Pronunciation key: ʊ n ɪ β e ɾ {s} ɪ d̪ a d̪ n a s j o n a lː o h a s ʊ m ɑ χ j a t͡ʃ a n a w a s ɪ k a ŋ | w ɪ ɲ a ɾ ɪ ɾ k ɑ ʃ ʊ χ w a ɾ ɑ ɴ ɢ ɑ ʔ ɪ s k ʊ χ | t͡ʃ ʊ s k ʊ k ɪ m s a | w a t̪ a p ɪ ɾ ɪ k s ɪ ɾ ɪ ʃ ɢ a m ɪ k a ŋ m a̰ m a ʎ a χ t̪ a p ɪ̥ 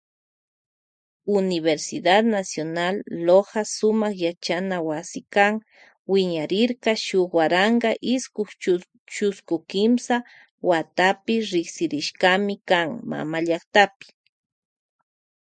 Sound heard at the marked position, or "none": s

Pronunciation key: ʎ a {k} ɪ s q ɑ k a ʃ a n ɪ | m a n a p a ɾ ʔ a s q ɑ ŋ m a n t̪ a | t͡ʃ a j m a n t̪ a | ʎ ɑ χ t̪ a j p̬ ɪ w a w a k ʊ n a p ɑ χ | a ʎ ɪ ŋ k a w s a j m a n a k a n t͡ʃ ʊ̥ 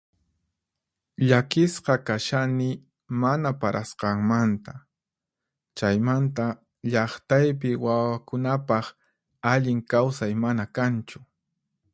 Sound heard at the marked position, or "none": k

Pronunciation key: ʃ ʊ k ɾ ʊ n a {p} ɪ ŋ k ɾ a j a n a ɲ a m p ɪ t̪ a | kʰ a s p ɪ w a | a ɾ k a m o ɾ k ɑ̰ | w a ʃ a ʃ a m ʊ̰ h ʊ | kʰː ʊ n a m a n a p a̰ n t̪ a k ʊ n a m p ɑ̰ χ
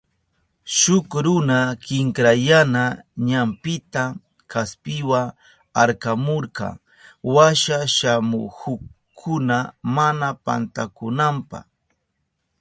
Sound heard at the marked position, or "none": k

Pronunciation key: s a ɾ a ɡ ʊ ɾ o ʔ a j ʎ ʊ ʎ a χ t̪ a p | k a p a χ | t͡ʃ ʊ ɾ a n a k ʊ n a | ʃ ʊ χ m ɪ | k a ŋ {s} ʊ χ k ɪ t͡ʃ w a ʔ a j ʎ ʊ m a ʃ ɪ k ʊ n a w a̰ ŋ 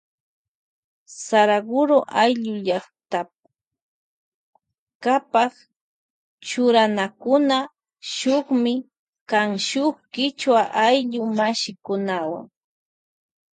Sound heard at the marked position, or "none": ʃ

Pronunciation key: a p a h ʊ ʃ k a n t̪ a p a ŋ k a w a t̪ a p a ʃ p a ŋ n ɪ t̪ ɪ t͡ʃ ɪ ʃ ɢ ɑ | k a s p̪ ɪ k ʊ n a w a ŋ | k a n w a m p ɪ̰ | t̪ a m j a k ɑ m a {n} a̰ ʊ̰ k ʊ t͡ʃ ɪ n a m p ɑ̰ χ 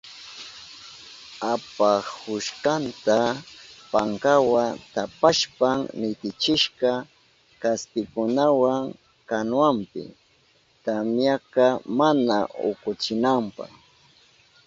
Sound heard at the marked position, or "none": n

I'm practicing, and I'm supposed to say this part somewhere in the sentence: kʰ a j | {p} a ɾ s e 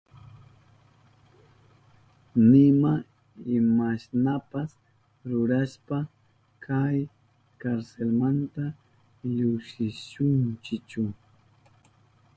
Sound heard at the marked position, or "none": k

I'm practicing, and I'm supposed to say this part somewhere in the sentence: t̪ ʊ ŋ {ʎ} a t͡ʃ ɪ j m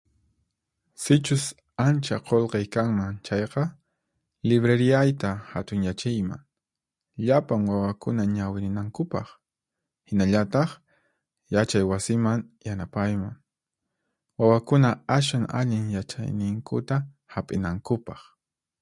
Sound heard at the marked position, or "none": j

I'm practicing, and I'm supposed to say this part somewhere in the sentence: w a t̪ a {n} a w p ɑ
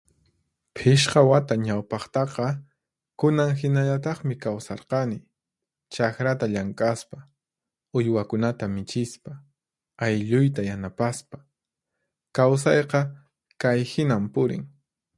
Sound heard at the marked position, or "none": ɲ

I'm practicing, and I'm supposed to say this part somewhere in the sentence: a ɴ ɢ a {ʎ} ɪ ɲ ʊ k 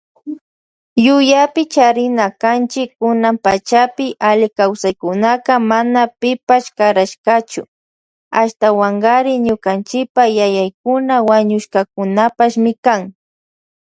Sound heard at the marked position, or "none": ɾ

